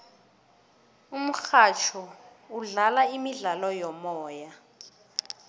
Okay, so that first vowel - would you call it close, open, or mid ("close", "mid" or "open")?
close